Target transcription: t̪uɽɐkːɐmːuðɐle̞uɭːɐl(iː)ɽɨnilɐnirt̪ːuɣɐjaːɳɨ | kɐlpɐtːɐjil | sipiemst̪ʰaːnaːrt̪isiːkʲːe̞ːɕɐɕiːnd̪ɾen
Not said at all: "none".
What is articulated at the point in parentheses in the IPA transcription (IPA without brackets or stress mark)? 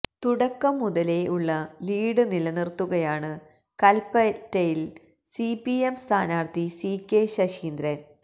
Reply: iː